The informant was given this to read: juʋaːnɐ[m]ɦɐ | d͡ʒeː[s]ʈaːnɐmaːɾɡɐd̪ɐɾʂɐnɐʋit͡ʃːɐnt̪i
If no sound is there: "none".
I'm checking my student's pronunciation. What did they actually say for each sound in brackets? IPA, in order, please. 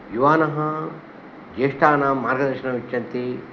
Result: none, ʂ

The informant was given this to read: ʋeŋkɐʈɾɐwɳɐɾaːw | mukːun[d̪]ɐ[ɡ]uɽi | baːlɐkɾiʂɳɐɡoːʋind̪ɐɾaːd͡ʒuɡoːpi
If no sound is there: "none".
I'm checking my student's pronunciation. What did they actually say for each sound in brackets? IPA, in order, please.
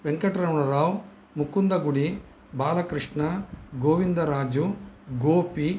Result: d̪, ɡ

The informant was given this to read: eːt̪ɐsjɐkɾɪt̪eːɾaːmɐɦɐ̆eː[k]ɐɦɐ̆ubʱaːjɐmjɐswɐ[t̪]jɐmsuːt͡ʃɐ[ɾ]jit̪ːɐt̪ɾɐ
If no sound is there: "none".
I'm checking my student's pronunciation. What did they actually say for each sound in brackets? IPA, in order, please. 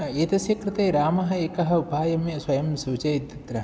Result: k, none, none

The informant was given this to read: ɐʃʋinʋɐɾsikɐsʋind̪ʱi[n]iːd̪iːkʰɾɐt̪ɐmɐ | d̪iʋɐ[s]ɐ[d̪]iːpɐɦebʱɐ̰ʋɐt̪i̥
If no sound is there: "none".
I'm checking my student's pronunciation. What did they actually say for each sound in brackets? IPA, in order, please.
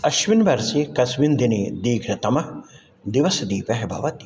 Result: n, s, d̪

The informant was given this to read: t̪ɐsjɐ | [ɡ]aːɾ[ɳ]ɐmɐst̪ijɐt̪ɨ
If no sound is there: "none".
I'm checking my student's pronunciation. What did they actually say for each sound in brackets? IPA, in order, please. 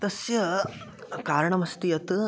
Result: k, ɳ

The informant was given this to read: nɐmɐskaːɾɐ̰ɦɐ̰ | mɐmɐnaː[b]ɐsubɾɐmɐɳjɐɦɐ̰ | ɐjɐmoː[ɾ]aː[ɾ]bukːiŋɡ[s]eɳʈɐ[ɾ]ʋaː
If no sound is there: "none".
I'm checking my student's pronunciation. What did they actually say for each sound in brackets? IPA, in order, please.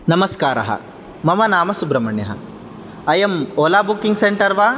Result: m, l, none, s, ɾ

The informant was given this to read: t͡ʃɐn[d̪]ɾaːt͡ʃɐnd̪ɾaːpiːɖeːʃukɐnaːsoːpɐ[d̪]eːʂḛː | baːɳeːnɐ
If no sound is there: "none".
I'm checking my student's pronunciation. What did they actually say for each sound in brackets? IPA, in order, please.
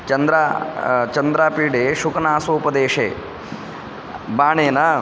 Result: d̪, d̪

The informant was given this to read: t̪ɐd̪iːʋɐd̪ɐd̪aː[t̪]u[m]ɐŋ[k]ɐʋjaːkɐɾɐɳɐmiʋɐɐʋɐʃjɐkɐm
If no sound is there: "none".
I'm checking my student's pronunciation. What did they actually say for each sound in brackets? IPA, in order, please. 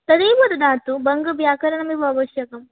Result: t̪, b, ɡ

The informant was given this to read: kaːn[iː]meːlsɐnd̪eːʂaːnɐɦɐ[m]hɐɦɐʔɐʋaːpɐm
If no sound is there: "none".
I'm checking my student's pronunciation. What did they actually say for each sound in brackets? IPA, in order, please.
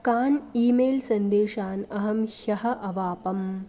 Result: iː, m

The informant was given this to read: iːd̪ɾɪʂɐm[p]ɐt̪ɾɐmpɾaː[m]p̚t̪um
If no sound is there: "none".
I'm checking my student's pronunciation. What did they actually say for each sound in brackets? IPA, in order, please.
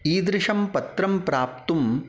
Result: p, none

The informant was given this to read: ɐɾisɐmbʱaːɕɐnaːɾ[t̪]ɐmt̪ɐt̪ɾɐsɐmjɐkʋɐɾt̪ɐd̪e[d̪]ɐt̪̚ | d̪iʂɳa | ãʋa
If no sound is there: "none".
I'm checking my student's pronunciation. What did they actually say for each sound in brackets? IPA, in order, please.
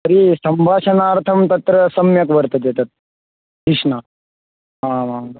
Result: t̪ʰ, t̪

